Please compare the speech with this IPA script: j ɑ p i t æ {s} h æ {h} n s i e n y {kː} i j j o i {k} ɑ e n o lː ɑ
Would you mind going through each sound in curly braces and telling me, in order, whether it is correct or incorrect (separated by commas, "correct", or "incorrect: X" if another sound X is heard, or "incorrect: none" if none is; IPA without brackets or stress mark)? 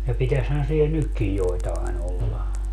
correct, incorrect: none, correct, incorrect: t